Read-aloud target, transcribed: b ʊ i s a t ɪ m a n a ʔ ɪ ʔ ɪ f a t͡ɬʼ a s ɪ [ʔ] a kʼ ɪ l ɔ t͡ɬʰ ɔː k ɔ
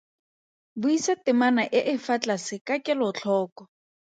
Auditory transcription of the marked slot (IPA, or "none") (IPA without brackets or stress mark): k